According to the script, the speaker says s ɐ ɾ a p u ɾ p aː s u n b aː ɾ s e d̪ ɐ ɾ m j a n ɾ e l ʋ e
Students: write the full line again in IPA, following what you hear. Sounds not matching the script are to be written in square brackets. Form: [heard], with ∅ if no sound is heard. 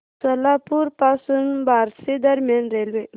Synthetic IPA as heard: s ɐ [l] a p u ɾ p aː s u n b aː ɾ s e d̪ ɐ ɾ m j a n ɾ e l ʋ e

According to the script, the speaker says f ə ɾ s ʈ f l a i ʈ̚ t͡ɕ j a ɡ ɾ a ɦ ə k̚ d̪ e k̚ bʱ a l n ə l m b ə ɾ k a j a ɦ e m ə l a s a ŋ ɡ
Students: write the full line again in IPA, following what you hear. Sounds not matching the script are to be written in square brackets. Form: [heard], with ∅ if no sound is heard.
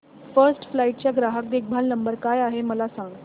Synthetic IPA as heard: f ə ɾ s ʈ f l a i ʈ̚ t͡ɕ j a ɡ ɾ a ɦ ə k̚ d̪ e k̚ bʱ a l n ə [∅] m b ə ɾ k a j a ɦ e m ə l a s a ŋ ɡ

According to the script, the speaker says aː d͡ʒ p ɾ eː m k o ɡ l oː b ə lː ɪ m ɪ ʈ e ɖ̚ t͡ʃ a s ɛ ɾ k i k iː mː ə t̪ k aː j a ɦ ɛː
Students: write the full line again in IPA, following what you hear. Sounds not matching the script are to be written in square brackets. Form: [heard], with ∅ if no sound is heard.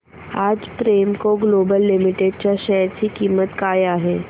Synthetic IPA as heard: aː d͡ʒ p ɾ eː m k o ɡ l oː b ə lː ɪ m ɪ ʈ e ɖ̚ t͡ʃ a [ʃ] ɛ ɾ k i k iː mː ə t̪ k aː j a ɦ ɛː

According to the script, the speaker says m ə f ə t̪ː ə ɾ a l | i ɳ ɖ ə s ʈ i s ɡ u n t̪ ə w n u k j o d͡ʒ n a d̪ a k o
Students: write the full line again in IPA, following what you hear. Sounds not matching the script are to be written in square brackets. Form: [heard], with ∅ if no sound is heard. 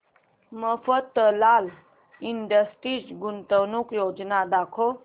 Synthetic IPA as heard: m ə f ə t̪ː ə [l] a l | i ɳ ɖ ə s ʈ i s ɡ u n t̪ ə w n u k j o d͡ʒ n a d̪ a [kʰ] o

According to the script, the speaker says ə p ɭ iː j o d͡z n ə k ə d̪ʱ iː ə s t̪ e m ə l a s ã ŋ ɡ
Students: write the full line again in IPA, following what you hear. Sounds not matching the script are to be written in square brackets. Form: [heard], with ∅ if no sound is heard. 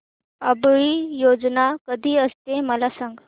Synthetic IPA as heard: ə [b] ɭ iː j o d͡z n [a] k ə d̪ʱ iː ə s t̪ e m ə l a s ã ŋ ɡ

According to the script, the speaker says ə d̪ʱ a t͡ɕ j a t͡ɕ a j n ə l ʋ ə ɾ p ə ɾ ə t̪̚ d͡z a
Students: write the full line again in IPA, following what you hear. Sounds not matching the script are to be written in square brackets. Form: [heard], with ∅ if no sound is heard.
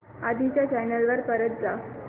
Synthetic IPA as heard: [a] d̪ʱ [i] t͡ɕ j a t͡ɕ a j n ə l ʋ ə ɾ p ə ɾ ə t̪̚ d͡z a

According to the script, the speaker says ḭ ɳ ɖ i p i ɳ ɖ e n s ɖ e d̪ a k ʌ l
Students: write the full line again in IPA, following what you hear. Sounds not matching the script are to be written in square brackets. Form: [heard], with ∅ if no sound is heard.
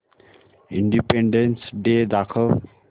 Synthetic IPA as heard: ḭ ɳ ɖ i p [e] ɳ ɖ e n s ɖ e d̪ a [kʰ] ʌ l

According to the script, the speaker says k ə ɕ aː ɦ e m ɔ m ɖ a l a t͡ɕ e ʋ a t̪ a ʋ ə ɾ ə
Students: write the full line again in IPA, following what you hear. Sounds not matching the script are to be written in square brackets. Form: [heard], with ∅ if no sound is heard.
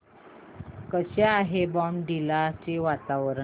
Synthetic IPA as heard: k ə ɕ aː ɦ e [b] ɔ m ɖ [i] l a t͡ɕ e ʋ a t̪ a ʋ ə ɾ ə

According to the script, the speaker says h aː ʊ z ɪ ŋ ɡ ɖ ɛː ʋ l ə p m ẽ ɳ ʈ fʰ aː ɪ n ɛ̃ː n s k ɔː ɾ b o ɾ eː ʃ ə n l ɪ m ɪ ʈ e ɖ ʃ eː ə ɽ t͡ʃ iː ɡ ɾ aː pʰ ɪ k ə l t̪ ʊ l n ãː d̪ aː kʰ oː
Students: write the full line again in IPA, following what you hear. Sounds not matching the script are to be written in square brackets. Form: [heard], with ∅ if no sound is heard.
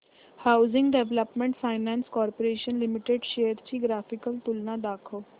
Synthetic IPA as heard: h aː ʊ z ɪ ŋ ɡ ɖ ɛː ʋ l ə p m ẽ ɳ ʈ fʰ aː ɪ n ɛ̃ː n s k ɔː ɾ [p] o ɾ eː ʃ ə n l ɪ m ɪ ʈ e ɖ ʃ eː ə [ɾ] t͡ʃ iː ɡ ɾ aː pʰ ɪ k ə l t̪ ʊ l n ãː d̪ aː kʰ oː

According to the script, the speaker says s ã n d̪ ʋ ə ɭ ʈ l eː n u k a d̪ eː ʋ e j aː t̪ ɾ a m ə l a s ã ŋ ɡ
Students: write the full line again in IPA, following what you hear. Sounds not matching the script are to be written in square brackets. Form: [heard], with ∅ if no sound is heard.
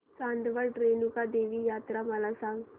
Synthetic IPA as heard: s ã n d̪ ʋ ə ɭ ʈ [ɾ] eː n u k a d̪ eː ʋ [i] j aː t̪ ɾ a m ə l a s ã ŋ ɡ

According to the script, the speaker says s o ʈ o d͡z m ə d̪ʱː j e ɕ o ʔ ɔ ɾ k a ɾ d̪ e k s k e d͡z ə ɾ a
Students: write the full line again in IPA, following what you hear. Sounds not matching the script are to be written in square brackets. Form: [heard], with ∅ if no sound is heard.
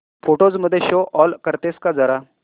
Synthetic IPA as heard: [f] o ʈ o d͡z m ə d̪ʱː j e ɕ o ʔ ɔ [l] k [ə] ɾ [t̪] e [∅] s k [a] d͡z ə ɾ a

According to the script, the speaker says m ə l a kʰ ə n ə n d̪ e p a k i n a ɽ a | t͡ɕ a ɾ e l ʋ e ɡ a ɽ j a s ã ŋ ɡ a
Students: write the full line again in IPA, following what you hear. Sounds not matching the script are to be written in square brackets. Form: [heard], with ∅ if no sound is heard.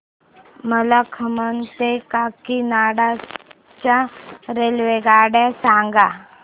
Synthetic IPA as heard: m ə l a kʰ ə [m] ə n [t̪] e [k] a k i n a ɽ a | t͡ɕ a ɾ e l ʋ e ɡ a ɽ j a s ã ŋ ɡ a

